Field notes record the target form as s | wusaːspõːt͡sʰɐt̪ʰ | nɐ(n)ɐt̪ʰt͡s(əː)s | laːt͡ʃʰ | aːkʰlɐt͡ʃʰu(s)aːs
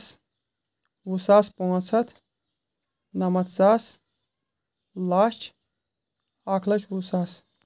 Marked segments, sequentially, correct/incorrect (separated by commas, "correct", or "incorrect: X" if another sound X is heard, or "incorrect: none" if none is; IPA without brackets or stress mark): incorrect: m, incorrect: aː, correct